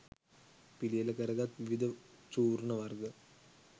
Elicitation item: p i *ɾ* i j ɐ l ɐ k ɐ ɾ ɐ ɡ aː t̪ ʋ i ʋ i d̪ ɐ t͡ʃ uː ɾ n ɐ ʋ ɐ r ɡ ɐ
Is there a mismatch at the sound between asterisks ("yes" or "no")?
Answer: yes